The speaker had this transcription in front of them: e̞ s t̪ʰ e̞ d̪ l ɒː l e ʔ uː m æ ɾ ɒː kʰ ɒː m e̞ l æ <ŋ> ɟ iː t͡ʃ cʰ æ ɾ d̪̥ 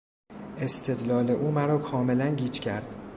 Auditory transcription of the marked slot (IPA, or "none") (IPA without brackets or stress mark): n